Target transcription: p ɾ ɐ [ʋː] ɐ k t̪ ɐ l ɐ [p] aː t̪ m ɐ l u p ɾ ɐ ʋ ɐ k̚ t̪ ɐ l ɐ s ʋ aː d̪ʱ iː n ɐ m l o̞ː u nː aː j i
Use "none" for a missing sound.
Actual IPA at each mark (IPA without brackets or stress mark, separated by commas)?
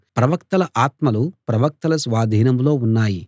ʋ, ʔ